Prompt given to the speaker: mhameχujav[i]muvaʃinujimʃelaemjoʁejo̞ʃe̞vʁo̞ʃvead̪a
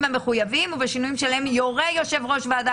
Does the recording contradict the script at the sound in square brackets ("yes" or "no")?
no